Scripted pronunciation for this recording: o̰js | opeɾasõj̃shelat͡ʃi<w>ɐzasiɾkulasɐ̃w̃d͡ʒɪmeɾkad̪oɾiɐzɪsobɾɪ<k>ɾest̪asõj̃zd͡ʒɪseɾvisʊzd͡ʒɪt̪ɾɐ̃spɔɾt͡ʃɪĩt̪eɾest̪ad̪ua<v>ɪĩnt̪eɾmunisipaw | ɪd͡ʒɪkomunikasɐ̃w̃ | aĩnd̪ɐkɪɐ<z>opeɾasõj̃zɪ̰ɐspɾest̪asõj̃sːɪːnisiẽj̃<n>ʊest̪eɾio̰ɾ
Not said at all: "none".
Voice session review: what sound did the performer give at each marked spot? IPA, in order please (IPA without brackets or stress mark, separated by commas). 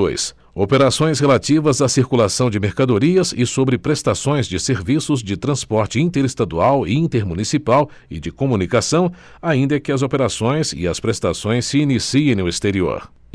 v, p, w, z, n